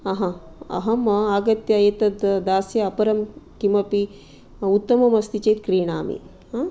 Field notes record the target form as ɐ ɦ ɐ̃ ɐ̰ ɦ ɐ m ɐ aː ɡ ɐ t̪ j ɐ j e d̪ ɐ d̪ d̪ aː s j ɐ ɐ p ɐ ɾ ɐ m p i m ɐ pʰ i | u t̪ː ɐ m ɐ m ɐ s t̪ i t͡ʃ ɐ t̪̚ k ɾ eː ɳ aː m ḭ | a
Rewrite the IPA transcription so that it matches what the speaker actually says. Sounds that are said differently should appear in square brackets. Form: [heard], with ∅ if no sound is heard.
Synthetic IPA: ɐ ɦ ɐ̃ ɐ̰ ɦ ɐ m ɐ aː ɡ ɐ t̪ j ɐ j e [t̪] ɐ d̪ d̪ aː s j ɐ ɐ p ɐ ɾ ɐ m [k] i m ɐ [p] i | u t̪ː ɐ m ɐ m ɐ s t̪ i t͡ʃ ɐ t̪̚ k ɾ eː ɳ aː m ḭ | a

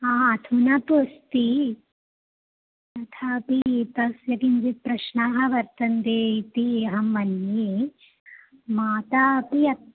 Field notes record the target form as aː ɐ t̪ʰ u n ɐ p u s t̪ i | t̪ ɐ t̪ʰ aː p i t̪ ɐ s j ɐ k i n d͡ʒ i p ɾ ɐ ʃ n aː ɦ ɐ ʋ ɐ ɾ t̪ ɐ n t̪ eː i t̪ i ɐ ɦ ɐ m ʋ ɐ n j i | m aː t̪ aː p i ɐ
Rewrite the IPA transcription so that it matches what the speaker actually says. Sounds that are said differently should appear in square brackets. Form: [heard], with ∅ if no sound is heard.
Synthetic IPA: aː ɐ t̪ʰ u n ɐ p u s t̪ i | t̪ ɐ t̪ʰ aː p i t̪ ɐ s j ɐ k i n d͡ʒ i p ɾ ɐ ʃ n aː ɦ ɐ ʋ ɐ ɾ t̪ ɐ n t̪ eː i t̪ i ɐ ɦ ɐ m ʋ ɐ n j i | m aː t̪ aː p i ɐ

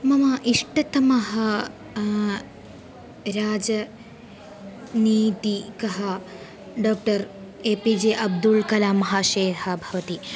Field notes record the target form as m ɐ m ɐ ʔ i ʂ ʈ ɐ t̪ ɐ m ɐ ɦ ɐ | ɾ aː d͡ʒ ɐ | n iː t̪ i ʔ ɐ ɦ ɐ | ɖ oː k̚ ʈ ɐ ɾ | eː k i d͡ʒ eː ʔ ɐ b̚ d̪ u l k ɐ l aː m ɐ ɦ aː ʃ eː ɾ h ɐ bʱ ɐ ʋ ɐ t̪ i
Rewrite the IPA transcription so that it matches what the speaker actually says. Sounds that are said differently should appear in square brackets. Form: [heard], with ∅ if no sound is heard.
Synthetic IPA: m ɐ m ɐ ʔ i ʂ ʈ ɐ t̪ ɐ m ɐ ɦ ɐ | ɾ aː d͡ʒ ɐ | n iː t̪ i [k] ɐ ɦ ɐ | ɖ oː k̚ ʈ ɐ ɾ | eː [p] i d͡ʒ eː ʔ ɐ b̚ d̪ u l k ɐ l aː m ɐ ɦ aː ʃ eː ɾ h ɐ bʱ ɐ ʋ ɐ t̪ i

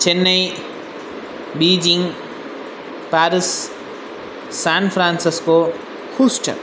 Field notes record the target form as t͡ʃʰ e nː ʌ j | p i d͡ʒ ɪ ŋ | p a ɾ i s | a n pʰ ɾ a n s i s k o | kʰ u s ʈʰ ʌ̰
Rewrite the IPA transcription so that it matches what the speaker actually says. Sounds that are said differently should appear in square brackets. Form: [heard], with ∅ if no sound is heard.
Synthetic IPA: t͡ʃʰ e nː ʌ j | [b] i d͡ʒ [i] ŋ | p a ɾ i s | a n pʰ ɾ a n s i s k o | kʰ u s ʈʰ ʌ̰

